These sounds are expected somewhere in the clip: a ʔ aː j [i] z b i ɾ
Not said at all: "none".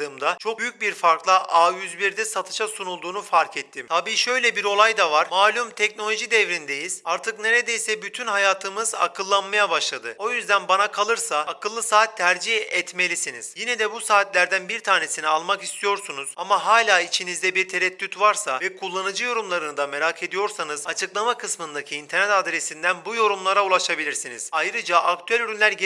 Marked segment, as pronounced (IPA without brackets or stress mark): y